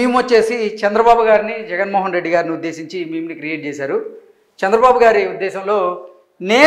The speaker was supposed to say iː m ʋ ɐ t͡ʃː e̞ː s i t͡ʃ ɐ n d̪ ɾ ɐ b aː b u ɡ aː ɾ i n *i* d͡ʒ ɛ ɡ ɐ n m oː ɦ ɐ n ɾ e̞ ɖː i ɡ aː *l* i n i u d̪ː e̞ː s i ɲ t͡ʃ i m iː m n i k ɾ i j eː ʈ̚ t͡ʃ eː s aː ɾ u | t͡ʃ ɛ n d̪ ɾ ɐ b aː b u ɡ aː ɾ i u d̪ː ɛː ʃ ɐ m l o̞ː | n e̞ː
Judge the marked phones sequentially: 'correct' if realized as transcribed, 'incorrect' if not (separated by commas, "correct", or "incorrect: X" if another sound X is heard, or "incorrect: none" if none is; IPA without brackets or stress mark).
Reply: correct, incorrect: ɾ